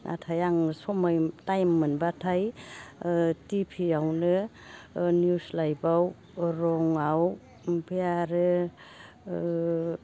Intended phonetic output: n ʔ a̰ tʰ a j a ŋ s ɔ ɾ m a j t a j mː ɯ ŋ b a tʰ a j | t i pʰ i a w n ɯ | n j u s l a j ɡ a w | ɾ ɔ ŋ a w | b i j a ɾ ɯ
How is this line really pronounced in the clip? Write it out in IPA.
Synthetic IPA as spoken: n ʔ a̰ tʰ a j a ŋ s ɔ m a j t a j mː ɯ n b a tʰ a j | t i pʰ i a w n ɯ | n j u s l a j b a w | ɾ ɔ ŋ a w | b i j a ɾ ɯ